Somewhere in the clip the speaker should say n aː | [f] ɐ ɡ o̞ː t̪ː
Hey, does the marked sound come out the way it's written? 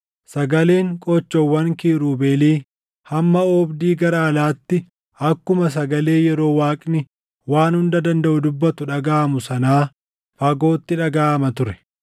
yes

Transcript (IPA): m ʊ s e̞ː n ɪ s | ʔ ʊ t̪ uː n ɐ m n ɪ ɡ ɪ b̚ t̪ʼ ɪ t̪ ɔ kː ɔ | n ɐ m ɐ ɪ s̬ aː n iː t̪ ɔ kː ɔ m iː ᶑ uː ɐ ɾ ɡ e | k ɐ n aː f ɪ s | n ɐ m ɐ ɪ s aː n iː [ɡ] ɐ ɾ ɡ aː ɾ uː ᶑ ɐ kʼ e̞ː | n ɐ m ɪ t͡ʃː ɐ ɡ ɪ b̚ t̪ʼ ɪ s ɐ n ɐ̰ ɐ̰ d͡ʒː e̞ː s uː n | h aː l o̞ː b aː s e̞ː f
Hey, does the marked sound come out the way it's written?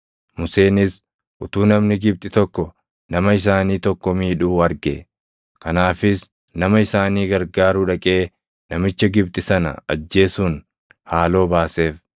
yes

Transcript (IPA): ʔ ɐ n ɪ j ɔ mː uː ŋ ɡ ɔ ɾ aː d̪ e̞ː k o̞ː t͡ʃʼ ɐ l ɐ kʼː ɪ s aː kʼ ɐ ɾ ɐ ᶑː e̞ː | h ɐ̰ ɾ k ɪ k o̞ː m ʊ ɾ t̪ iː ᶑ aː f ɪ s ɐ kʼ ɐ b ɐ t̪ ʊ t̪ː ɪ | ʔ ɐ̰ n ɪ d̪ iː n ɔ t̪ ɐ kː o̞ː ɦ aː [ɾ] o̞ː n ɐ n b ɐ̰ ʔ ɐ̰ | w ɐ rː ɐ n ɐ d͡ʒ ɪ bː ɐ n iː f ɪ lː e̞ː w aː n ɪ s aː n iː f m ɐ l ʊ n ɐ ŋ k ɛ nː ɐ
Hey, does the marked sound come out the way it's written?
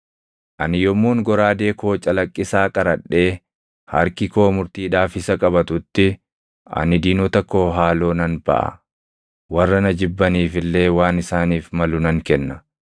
no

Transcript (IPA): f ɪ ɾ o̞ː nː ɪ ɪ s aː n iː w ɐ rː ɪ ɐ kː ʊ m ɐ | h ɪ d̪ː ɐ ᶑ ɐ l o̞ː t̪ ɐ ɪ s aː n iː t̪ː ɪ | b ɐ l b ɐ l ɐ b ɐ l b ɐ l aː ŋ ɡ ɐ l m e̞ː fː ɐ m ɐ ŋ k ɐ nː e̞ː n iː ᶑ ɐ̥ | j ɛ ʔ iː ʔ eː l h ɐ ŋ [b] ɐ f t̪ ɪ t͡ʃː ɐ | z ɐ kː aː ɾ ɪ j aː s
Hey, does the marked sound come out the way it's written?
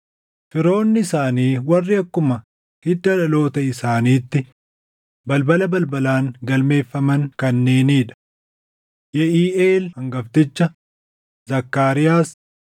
no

